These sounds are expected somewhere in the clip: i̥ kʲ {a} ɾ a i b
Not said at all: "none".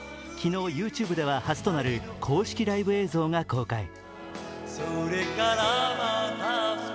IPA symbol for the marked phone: i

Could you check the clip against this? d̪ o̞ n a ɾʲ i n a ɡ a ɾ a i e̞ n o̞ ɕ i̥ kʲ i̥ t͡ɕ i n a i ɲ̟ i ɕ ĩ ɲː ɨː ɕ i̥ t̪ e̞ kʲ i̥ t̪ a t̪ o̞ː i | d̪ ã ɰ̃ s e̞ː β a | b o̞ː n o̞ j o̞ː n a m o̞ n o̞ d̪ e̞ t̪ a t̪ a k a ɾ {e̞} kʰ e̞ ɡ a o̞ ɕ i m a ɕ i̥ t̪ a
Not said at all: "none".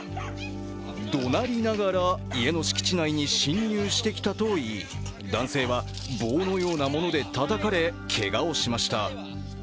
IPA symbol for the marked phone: e̞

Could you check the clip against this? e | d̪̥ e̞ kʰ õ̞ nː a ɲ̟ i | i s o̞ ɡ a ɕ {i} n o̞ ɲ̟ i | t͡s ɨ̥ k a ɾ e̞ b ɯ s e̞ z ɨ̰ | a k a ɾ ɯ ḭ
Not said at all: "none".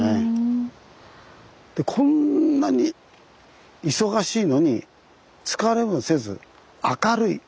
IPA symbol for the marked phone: iː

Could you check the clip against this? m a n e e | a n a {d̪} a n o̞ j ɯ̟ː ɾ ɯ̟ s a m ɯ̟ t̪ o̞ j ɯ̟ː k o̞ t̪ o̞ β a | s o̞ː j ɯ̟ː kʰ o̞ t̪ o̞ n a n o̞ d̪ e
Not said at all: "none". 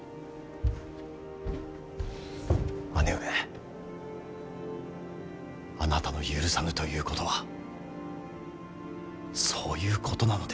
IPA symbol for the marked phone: t̪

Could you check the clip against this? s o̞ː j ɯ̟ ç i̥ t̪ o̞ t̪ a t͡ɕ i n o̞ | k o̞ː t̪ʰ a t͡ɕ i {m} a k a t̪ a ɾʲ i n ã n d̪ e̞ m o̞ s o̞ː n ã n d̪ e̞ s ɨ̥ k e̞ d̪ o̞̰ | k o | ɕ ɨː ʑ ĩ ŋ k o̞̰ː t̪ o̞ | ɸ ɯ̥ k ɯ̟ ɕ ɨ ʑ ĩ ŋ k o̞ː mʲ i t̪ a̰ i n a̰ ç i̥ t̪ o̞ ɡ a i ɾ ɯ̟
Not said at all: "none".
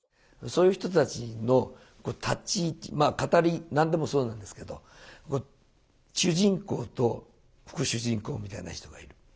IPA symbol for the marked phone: m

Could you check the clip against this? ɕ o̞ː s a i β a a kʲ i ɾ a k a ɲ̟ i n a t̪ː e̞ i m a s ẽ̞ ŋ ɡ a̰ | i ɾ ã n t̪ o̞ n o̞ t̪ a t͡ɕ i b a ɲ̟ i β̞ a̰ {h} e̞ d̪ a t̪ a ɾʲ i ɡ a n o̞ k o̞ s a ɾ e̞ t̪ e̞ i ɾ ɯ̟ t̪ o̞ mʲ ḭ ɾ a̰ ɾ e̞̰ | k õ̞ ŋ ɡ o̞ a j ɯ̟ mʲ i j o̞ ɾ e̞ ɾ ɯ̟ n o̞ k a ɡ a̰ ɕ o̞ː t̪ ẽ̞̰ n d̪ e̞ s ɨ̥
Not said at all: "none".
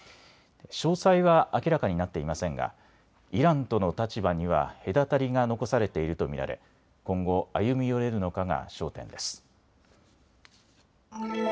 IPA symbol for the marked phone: h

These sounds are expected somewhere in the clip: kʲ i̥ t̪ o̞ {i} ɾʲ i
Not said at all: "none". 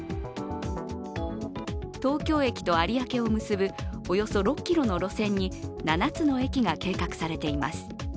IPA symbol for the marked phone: a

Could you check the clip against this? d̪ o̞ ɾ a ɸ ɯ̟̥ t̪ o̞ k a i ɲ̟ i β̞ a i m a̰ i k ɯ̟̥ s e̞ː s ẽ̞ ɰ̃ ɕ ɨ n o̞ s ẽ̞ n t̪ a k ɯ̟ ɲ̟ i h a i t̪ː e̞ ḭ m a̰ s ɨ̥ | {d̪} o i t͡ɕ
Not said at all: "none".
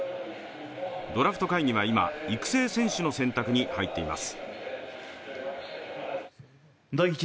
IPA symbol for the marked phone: d̪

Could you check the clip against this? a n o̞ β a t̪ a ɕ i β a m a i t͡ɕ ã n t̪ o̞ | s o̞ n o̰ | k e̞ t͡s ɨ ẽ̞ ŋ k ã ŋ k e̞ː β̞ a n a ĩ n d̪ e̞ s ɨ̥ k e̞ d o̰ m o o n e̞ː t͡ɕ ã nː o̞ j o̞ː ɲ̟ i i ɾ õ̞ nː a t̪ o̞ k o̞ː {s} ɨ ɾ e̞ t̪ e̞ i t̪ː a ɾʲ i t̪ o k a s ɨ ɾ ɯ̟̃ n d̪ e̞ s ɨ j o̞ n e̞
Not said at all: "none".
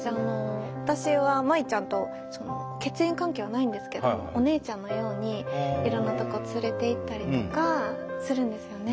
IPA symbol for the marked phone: t͡s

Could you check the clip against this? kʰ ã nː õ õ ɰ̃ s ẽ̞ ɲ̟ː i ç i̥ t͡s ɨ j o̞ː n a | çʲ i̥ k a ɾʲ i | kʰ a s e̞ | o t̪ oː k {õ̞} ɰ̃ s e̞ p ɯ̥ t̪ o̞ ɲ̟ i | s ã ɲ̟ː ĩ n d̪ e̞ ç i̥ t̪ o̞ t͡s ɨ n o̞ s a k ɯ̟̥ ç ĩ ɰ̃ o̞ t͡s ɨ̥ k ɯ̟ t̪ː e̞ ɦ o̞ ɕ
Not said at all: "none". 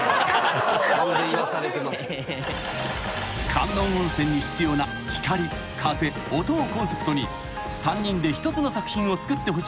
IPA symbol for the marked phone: õ̞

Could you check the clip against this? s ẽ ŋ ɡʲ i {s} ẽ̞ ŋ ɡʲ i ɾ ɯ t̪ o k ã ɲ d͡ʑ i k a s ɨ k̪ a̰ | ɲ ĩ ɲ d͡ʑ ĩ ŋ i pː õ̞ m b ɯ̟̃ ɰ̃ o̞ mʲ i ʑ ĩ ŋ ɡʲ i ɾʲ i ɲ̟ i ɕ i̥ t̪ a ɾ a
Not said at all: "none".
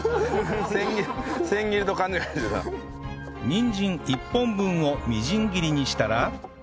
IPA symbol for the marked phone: s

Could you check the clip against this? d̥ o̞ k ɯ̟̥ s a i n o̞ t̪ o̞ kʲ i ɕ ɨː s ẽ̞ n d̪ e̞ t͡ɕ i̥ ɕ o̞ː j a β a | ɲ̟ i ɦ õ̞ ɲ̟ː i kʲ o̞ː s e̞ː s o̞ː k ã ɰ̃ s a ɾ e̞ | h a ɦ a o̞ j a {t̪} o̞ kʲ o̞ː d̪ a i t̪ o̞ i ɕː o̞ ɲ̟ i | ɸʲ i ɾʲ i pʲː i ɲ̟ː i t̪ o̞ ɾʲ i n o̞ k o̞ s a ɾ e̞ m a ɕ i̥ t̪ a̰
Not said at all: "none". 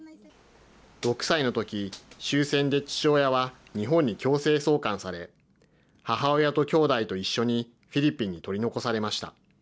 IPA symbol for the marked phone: t̪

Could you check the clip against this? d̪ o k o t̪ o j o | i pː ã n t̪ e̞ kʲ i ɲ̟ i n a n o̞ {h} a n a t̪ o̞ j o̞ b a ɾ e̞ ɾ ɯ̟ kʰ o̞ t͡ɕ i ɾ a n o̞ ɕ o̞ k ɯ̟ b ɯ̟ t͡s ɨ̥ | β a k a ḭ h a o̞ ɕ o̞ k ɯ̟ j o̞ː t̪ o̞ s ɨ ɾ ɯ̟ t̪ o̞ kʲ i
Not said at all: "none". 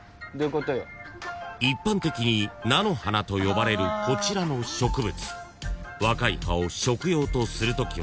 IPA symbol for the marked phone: h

